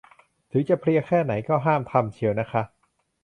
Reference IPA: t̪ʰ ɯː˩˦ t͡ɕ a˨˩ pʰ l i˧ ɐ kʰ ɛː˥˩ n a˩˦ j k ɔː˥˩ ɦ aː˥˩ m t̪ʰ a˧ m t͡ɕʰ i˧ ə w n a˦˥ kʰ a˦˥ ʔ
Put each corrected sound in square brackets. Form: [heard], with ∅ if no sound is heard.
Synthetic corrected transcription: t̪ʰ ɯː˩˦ t͡ɕ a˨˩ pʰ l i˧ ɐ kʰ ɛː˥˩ n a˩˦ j k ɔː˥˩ ɦ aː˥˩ m t̪ʰ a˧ m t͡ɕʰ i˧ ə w n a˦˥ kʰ a˦˥ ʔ